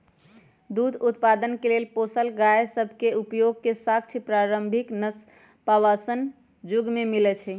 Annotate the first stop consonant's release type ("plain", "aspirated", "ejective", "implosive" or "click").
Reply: plain